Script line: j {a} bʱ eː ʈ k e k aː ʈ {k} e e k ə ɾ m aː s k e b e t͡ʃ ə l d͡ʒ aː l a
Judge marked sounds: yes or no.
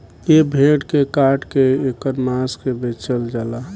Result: no, yes

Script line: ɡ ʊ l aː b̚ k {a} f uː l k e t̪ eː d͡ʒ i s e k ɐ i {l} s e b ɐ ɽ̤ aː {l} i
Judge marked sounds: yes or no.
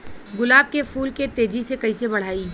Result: no, no, no

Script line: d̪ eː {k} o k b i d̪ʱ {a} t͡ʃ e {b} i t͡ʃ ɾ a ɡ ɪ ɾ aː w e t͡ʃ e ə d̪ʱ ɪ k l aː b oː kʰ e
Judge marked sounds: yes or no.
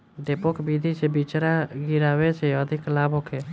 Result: no, no, yes

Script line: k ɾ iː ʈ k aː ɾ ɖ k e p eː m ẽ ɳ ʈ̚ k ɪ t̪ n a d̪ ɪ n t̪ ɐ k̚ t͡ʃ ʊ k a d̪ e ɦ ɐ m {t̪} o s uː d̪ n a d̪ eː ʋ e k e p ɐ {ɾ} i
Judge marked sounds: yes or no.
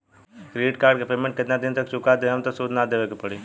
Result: yes, no

